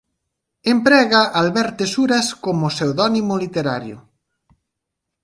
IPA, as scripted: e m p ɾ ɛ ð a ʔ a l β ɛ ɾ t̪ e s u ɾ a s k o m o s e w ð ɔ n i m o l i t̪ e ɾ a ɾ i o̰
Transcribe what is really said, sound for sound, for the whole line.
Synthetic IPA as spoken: e m p ɾ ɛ ɣ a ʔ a l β ɛ ɾ t̪ e s u ɾ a s k o m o s e w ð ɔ n i m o l i t̪ e ɾ a ɾ j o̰